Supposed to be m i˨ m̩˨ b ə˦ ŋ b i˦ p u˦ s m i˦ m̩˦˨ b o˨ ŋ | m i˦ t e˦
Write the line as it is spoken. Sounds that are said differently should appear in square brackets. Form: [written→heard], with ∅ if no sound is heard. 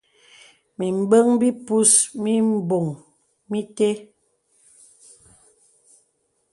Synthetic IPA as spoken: m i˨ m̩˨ b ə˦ ŋ b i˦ p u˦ s m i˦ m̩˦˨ b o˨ ŋ | m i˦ t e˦